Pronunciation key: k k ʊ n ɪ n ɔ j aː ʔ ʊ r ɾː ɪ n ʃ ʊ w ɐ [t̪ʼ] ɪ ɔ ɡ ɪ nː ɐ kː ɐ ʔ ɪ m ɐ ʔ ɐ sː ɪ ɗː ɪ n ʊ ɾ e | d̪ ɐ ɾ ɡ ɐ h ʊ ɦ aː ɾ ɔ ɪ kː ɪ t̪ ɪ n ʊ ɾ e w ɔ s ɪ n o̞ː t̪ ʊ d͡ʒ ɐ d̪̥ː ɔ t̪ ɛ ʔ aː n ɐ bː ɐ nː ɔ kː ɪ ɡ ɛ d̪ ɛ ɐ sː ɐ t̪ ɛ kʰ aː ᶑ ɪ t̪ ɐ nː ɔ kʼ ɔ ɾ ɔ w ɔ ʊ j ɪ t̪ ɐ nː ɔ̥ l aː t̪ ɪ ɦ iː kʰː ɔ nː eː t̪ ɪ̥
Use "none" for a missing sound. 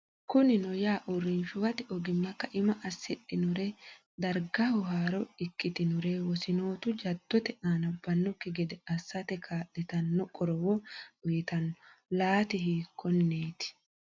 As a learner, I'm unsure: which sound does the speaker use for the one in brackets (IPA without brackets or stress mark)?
t̪